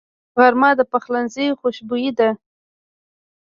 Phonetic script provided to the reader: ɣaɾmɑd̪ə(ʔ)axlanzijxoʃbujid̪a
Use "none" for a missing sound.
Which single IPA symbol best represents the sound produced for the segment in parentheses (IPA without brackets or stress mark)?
p